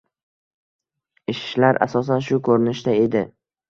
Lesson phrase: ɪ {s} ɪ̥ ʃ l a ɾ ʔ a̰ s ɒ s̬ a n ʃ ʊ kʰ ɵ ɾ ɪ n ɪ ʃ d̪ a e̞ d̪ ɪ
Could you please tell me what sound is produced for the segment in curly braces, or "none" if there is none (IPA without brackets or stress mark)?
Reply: ʃ